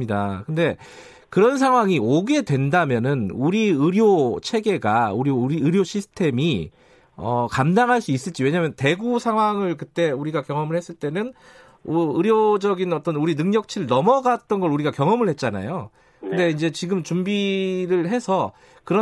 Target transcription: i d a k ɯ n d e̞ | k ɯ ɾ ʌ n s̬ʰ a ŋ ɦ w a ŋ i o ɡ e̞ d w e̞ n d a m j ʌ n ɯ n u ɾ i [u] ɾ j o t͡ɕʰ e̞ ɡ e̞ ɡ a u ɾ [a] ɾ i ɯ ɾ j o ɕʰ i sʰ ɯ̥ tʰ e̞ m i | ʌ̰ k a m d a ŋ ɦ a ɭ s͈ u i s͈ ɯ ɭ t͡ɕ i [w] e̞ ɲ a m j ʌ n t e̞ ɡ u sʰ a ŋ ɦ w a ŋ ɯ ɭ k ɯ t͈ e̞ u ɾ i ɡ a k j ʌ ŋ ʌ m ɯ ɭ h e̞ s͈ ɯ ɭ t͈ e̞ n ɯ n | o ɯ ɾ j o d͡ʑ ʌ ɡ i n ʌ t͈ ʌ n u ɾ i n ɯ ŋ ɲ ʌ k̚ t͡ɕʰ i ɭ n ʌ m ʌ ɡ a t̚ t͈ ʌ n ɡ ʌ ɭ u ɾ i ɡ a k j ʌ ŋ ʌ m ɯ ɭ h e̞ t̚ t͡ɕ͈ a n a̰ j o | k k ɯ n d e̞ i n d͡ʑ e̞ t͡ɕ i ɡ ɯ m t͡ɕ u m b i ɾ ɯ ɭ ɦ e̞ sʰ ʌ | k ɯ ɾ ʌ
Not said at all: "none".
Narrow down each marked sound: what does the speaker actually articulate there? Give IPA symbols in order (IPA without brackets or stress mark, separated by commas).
ɯ, i, w